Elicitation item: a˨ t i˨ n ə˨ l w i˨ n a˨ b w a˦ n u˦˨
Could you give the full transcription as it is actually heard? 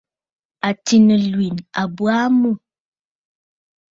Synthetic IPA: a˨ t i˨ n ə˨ l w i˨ n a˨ b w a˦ m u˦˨